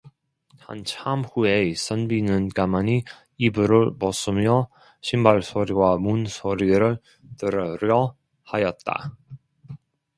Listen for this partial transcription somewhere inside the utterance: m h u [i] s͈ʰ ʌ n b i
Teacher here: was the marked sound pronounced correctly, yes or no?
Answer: no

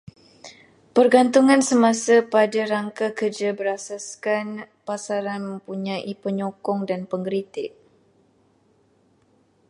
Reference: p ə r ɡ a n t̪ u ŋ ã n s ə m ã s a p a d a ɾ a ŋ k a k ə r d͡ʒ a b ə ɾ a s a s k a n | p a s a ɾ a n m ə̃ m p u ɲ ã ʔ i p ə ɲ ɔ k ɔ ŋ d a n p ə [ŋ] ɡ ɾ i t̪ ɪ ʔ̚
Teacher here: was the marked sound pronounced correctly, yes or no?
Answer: yes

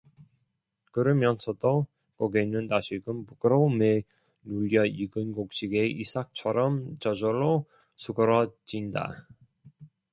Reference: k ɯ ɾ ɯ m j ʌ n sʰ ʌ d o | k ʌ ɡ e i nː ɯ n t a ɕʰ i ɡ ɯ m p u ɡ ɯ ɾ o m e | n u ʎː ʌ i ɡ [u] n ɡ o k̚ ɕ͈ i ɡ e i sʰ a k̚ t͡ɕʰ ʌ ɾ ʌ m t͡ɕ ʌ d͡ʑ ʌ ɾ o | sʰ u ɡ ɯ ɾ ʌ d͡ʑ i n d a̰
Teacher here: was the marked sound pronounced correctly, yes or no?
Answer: no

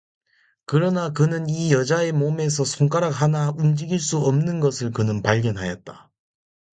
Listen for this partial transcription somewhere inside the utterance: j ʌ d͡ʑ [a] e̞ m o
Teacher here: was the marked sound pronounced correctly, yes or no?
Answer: yes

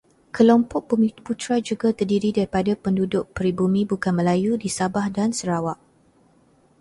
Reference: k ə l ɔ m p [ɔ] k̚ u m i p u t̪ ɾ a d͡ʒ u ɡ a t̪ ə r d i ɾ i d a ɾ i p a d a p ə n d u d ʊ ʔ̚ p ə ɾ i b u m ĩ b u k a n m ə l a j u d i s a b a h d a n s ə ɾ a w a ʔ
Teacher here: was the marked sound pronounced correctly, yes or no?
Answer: yes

